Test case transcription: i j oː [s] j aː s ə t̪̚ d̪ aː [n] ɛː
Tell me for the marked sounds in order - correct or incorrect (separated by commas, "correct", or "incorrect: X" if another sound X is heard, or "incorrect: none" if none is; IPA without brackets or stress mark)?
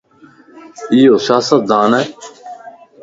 correct, correct